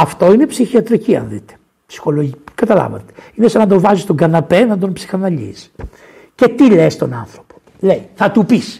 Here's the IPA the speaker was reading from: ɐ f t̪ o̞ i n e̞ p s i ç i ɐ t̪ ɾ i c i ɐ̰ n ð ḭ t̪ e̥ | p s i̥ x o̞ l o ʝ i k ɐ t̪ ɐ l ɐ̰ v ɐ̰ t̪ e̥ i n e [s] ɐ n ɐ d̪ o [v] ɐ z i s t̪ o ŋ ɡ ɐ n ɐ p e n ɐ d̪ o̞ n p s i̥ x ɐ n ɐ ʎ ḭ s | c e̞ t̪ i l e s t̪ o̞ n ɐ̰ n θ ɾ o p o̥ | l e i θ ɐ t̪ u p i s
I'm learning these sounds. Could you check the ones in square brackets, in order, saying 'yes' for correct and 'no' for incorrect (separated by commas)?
yes, yes